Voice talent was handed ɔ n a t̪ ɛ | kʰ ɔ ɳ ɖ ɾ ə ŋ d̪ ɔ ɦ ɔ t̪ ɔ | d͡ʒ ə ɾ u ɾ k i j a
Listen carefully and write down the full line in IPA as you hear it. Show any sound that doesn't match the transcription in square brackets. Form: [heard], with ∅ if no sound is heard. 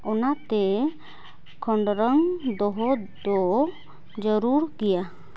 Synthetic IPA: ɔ n a t̪ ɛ | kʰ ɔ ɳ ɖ ɾ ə ŋ d̪ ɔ ɦ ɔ [d̪] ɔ | d͡ʒ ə ɾ u ɾ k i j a